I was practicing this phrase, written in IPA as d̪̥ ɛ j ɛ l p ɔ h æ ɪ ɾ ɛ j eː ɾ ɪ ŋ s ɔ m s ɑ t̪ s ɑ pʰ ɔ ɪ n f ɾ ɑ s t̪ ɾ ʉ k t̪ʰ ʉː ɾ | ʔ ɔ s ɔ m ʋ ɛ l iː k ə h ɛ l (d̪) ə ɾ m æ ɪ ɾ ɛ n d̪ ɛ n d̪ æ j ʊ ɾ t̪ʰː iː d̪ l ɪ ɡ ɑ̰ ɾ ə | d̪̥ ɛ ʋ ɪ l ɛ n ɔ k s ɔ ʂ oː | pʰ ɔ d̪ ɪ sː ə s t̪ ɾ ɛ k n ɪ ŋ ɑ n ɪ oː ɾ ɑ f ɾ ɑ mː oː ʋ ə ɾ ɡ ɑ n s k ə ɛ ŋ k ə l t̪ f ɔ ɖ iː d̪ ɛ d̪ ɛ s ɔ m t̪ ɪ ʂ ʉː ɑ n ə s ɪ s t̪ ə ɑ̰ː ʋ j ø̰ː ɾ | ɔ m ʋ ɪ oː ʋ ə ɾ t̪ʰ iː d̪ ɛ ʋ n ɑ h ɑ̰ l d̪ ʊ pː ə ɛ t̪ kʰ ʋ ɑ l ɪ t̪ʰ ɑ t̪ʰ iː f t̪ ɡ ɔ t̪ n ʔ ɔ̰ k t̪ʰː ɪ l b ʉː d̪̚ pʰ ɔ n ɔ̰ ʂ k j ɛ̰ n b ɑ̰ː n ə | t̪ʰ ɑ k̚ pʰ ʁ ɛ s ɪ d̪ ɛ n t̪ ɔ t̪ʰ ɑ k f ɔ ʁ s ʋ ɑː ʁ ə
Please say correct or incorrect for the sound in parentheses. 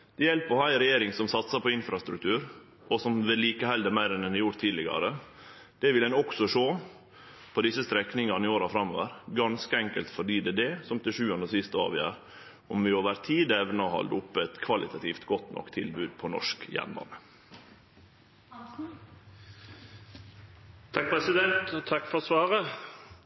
correct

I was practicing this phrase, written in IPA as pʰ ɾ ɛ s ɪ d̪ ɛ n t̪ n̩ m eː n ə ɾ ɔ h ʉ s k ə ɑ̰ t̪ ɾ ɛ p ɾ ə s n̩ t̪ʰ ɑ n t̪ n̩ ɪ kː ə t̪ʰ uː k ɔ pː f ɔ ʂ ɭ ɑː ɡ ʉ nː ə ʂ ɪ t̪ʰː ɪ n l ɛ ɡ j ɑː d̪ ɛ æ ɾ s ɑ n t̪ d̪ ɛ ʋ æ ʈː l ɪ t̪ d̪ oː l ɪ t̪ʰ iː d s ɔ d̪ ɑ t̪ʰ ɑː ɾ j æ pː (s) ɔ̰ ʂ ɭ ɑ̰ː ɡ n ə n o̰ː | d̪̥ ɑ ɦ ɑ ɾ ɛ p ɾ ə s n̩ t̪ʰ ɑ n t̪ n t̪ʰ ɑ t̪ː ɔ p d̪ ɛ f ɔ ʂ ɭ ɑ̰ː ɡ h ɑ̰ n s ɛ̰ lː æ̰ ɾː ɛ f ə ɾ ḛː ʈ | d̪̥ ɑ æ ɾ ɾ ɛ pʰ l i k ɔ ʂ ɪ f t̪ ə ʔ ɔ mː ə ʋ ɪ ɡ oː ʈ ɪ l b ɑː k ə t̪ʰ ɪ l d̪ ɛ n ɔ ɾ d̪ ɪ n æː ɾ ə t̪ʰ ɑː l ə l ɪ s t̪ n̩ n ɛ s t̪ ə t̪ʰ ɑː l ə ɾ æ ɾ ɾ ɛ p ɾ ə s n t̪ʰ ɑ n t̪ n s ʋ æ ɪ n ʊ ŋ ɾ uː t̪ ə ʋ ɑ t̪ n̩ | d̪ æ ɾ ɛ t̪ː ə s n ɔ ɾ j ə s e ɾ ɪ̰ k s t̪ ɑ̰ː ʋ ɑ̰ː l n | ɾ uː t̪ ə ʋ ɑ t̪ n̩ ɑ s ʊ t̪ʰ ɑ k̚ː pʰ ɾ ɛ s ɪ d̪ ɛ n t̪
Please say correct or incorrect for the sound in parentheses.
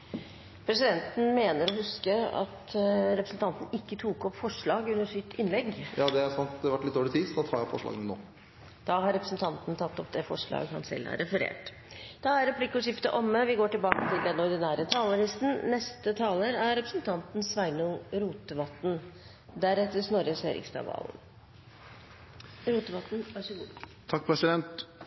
incorrect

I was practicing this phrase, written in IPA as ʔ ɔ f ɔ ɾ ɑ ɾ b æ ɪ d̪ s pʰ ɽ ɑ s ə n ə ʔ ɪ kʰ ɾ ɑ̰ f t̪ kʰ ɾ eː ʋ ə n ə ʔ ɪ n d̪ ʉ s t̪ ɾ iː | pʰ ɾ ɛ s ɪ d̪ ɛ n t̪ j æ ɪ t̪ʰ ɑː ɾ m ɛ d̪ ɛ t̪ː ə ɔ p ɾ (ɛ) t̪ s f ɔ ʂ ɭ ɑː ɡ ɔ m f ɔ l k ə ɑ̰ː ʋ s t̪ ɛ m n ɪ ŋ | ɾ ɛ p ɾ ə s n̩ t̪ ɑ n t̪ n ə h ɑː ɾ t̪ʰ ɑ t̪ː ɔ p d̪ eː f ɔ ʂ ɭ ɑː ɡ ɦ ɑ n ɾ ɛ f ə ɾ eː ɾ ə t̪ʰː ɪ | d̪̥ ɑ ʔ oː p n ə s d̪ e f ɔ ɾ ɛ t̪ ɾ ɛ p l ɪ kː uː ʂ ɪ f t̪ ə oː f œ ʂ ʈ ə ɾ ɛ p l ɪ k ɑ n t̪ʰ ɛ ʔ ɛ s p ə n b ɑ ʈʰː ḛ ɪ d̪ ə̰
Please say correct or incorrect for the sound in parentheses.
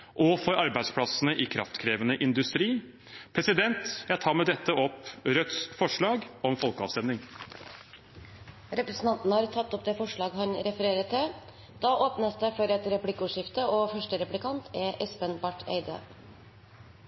incorrect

